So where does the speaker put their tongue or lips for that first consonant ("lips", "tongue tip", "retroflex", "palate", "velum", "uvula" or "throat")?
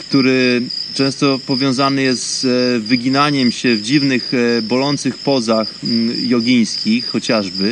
velum